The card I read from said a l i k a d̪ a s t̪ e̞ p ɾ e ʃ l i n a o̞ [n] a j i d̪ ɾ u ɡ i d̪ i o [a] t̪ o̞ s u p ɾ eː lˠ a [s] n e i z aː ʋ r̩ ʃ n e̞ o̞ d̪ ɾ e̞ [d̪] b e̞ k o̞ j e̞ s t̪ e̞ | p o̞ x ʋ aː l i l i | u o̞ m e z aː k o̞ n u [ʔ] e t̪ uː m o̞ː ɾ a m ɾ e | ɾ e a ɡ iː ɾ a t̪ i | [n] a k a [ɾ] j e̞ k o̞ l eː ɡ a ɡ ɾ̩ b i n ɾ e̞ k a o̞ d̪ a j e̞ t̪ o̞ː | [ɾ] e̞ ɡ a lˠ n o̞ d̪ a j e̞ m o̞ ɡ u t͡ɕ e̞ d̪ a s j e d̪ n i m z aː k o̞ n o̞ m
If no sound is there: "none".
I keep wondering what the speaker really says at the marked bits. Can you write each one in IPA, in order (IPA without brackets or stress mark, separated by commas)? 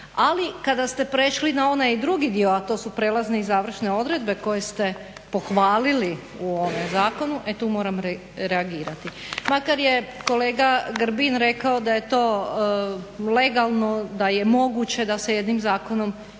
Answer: n, a, z, d̪, ʔ, m, ɾ, l